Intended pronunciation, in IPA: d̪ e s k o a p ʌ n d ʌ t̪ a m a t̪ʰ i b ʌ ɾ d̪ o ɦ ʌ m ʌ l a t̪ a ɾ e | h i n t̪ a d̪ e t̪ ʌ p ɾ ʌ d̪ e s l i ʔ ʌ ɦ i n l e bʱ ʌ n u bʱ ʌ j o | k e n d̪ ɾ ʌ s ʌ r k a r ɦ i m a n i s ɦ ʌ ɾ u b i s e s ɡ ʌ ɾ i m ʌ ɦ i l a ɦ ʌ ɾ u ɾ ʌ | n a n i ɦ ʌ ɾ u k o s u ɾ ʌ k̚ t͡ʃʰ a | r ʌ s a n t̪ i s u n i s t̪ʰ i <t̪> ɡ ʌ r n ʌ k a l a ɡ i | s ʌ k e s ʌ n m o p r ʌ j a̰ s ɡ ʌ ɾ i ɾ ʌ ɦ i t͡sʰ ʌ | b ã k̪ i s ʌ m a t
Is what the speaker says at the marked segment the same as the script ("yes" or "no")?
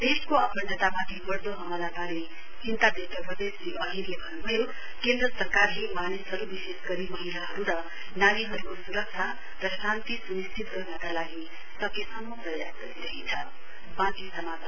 yes